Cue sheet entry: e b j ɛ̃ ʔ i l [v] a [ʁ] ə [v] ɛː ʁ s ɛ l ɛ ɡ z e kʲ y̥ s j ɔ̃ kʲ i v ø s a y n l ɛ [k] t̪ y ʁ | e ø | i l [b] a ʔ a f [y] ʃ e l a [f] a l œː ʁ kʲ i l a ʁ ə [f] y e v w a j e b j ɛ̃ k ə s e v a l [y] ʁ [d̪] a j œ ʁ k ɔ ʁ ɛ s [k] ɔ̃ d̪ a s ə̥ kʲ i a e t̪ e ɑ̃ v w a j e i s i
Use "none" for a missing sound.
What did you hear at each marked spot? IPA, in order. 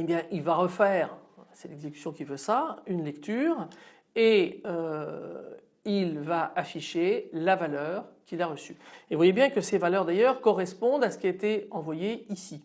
v, ʁ, f, k, v, i, v, s, œ, d̪, p

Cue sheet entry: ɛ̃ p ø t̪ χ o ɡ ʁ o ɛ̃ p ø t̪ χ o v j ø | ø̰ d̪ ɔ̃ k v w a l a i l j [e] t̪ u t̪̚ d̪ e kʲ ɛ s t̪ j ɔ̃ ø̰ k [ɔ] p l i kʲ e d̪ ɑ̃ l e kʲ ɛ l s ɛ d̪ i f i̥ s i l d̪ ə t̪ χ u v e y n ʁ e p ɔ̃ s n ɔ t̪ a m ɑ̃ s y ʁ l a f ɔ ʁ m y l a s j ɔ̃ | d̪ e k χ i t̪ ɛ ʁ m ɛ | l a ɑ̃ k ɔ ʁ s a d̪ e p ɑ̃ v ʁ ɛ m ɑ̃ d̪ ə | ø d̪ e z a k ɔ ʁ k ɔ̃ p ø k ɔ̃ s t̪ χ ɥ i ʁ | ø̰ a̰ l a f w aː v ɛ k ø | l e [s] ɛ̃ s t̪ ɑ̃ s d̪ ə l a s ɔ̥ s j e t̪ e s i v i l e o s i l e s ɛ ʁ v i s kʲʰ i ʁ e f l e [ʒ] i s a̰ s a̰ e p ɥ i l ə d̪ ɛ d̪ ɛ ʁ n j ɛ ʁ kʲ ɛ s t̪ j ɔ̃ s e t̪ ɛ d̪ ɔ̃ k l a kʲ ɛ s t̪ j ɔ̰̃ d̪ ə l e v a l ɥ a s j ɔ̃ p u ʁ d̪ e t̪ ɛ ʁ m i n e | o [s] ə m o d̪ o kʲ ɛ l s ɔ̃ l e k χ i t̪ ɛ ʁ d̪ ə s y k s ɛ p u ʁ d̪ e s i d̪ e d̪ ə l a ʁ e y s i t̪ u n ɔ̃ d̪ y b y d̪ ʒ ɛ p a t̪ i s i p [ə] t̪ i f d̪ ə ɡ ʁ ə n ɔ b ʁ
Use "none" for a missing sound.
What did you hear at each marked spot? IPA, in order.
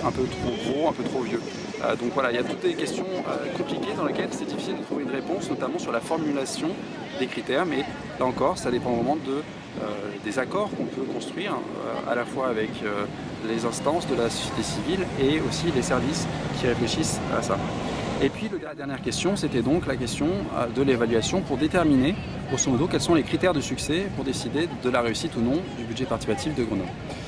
a, ɔ̃, z, ʃ, s, a

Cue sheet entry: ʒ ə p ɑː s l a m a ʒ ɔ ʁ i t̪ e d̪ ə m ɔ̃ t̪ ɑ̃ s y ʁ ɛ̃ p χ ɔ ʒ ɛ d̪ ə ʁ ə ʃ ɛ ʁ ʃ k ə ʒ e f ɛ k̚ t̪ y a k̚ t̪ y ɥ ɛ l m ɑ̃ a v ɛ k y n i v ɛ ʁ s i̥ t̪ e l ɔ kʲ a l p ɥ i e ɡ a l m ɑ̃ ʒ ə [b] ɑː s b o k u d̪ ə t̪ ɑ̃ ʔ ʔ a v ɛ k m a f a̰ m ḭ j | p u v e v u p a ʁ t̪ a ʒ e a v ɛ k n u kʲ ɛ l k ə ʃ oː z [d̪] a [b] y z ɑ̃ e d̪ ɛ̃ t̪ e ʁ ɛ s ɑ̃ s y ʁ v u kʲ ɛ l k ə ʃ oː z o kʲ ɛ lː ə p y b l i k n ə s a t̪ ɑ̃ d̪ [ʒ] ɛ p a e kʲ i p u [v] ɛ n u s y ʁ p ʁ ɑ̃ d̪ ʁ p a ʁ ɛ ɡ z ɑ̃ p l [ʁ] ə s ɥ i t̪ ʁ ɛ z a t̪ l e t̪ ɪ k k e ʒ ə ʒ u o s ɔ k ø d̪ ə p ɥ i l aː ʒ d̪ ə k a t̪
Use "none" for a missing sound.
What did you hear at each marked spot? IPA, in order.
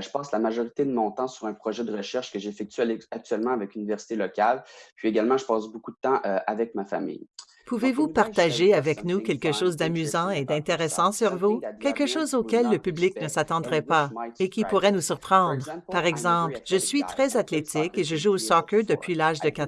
p, d̪, m, ʁ, ʁ, ʒ

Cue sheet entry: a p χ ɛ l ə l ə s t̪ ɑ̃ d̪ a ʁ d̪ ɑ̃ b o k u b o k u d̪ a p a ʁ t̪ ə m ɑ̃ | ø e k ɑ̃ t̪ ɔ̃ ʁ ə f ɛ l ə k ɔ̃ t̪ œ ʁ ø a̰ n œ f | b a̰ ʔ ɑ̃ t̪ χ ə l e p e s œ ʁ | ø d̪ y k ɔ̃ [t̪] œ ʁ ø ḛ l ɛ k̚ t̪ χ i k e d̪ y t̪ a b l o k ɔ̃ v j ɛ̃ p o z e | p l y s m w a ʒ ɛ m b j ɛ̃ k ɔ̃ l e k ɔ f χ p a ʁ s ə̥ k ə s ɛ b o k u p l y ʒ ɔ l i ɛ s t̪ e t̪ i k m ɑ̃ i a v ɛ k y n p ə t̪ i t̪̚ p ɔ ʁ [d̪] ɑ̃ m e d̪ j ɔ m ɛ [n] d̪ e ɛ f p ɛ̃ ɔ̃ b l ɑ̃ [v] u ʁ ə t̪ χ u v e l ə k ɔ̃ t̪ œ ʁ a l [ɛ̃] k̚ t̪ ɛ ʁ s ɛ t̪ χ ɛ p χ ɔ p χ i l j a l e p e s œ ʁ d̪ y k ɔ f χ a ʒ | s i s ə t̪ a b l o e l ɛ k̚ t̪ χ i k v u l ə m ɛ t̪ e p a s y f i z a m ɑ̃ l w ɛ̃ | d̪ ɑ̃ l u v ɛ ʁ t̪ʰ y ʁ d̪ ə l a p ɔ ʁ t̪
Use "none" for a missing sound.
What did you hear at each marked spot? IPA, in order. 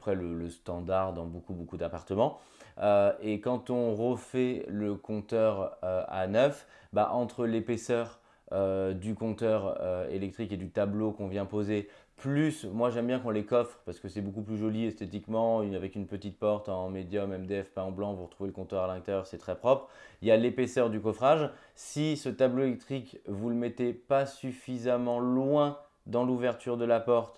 t̪, t̪, m, v, ɛ̃

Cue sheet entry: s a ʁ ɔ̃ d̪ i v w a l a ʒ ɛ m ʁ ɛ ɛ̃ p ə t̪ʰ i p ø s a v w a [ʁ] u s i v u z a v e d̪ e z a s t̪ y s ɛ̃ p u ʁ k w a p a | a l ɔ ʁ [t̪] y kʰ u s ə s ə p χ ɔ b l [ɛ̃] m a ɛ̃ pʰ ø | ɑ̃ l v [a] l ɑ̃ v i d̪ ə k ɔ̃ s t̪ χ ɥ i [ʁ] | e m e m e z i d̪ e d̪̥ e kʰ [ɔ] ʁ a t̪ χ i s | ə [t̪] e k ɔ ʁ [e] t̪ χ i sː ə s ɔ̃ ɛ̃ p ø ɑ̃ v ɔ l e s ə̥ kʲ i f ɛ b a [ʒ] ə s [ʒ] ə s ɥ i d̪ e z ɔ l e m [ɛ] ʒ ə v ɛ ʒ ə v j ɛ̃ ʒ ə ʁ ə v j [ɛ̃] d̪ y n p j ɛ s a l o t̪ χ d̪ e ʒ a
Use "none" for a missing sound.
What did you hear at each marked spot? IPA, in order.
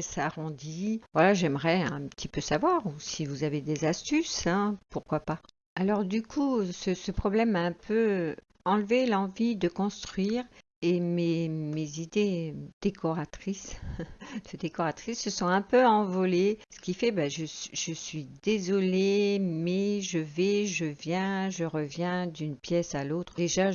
ʁ, d̪, ɛ, e, ʁ, ɔ, d̪, a, ʒ, ʒ, ɛ, ɛ̃

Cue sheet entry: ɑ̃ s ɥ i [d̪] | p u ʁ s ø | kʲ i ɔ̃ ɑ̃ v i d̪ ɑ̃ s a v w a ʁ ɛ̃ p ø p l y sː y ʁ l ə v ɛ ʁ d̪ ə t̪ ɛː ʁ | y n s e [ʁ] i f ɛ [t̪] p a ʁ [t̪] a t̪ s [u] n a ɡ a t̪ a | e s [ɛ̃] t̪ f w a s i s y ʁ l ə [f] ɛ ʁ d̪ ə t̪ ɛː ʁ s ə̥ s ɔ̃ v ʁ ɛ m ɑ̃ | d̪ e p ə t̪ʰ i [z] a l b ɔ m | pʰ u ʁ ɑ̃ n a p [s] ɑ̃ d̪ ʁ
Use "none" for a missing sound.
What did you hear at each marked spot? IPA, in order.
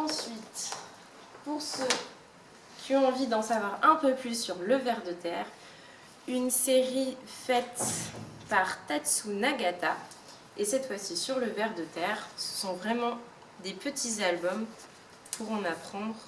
t̪, ʁ, t̪, t̪, u, ɛ, v, z, χ

